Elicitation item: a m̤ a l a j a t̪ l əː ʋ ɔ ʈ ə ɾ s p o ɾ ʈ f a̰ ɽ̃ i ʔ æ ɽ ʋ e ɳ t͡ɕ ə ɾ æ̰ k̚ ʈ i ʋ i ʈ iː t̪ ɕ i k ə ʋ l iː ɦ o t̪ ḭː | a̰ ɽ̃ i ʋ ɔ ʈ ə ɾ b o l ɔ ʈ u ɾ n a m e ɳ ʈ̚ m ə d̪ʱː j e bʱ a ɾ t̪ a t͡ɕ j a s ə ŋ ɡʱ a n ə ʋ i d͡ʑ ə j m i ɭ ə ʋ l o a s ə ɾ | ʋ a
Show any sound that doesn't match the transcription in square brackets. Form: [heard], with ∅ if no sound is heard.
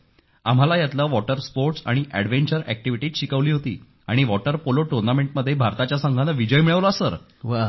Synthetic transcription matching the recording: a m̤ a l a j a t̪ l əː ʋ ɔ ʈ ə ɾ s p o ɾ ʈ [s] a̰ ɽ̃ i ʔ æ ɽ ʋ e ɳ t͡ɕ ə ɾ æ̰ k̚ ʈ i ʋ i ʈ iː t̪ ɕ i k ə ʋ l iː ɦ o t̪ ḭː | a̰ ɽ̃ i ʋ ɔ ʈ ə ɾ [p] o l [o] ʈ u ɾ n a m e ɳ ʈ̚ m ə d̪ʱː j e bʱ a ɾ t̪ a t͡ɕ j a s ə ŋ ɡʱ a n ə ʋ i d͡ʑ ə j m i ɭ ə ʋ l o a s ə ɾ | ʋ a